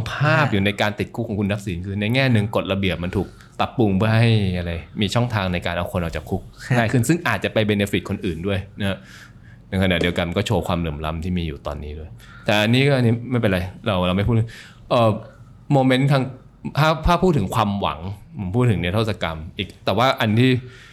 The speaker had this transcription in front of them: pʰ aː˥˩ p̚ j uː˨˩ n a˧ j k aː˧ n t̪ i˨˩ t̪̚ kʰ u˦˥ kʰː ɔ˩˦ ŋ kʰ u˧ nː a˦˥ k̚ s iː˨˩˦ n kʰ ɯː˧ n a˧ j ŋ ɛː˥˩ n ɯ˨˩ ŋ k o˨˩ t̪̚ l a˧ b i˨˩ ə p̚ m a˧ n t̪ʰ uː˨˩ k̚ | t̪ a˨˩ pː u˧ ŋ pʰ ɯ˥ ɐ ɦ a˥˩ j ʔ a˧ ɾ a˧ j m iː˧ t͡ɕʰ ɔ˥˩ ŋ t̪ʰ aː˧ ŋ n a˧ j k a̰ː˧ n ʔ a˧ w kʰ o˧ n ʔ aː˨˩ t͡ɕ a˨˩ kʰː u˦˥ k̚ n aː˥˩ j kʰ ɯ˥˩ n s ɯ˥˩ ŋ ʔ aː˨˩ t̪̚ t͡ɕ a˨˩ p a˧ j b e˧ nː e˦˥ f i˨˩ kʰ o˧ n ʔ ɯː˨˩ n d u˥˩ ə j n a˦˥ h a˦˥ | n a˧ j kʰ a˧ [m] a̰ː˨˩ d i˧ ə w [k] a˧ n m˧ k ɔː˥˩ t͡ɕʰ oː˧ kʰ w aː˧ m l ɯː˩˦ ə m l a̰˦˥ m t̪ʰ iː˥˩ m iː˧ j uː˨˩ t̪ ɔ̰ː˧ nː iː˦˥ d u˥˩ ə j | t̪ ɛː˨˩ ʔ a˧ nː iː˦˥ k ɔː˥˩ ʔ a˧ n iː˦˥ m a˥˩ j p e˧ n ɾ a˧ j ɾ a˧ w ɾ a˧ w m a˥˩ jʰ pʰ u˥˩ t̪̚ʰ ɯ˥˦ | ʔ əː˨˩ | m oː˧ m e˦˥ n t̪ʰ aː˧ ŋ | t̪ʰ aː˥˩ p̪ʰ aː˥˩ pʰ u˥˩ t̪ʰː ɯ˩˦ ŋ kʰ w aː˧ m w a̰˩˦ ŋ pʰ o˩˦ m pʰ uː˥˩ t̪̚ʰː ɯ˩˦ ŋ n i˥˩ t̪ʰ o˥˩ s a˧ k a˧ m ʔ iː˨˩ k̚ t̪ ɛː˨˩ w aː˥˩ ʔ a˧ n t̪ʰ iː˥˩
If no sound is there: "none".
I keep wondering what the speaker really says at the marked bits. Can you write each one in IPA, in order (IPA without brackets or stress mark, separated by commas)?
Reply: n, k